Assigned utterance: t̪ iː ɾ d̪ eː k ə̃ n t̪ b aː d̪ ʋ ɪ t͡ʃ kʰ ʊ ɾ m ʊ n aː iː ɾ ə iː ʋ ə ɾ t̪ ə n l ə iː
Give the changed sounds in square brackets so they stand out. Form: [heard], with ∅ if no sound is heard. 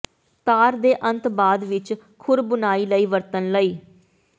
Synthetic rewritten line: t̪ [aː] ɾ d̪ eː [ʔ] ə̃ n t̪ b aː d̪ ʋ ɪ t͡ʃ kʰ ʊ ɾ [b] ʊ n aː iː [l] ə iː ʋ ə ɾ t̪ ə n l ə iː